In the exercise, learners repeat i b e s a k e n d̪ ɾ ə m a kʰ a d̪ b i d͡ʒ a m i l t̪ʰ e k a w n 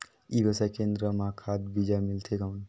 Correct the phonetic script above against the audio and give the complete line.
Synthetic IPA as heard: i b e s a k e n d̪ ɾ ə m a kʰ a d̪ b i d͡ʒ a m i l t̪ʰ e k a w n